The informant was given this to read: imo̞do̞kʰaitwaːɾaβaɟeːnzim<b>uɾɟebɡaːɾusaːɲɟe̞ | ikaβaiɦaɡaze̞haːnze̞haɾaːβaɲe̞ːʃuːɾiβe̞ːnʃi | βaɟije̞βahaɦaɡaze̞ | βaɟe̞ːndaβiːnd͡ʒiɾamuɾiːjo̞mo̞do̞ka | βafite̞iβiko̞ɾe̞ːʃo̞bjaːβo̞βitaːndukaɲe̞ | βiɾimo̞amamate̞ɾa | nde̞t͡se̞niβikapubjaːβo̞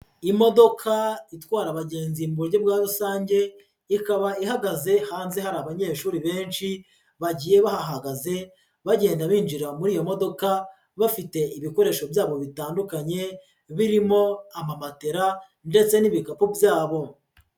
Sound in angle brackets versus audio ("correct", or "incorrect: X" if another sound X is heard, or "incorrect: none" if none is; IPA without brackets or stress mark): correct